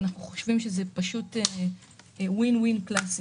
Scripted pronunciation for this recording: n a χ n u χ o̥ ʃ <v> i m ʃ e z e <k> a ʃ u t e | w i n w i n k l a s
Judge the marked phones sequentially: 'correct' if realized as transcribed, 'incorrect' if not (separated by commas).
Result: correct, incorrect